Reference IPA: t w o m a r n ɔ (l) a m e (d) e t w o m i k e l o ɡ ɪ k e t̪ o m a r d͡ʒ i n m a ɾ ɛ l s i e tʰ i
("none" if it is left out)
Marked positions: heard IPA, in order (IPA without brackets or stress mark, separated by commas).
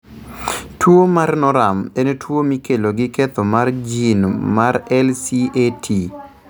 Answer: ɾ, n